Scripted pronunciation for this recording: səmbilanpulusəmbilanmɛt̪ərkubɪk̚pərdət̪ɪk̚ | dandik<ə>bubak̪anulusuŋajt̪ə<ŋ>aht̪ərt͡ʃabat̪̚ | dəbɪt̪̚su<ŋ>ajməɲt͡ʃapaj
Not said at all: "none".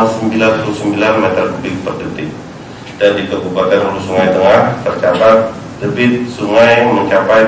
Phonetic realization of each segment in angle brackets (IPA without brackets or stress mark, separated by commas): ə, ŋ, ŋ